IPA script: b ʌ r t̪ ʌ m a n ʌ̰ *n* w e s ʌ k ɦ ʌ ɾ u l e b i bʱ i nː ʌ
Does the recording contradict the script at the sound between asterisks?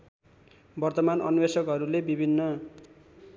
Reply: no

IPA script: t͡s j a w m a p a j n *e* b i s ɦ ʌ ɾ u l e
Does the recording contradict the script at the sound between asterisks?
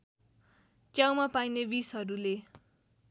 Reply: no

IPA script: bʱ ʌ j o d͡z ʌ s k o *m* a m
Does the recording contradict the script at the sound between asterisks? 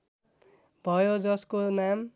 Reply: yes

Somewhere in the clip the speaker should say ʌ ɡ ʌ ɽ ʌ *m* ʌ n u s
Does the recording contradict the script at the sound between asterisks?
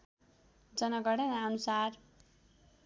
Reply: yes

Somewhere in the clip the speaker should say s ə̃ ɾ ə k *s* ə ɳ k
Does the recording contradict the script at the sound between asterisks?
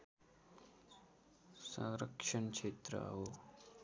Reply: yes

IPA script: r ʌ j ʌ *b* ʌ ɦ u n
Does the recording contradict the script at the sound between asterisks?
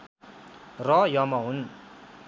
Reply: yes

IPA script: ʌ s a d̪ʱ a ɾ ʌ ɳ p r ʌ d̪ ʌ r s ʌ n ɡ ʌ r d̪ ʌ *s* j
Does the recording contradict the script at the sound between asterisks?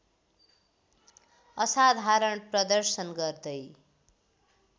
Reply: yes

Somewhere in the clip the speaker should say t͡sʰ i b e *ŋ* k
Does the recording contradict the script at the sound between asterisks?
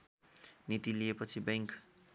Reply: no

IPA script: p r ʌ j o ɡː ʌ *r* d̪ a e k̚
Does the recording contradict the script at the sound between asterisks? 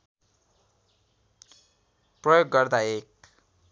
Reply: no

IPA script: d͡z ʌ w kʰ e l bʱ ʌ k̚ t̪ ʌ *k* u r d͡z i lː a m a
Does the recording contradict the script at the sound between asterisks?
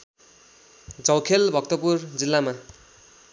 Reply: yes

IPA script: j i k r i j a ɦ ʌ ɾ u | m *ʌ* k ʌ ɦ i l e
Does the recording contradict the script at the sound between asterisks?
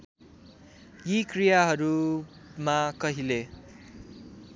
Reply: yes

